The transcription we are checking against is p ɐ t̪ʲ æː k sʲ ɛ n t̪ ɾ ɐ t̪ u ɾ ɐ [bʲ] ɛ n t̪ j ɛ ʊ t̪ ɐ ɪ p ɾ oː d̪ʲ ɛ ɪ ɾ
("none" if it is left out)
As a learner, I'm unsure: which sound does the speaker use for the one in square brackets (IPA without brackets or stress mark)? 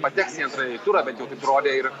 bʲ